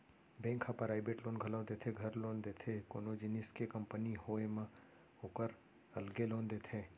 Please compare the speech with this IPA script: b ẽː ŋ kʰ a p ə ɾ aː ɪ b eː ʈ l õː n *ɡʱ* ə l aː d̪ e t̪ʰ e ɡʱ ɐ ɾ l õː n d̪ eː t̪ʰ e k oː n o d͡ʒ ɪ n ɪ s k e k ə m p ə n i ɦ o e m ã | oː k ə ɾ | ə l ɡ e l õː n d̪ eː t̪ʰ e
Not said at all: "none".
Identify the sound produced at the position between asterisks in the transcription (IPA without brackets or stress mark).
ɡʱ